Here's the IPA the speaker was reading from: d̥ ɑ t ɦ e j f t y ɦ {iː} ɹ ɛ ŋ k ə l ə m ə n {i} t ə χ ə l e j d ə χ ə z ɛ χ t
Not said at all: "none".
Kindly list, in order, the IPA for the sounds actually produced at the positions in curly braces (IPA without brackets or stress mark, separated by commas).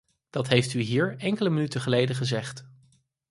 iː, y